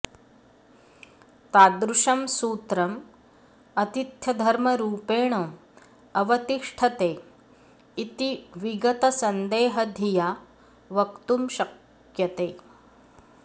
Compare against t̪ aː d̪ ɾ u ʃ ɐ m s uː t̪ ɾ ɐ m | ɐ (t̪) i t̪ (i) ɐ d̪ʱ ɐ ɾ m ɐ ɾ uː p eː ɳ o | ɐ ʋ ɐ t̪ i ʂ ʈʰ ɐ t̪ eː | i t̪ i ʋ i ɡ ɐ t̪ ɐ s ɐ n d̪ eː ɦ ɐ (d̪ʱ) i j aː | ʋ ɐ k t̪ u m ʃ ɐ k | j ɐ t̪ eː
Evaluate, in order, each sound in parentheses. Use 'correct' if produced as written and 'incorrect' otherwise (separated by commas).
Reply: correct, incorrect, correct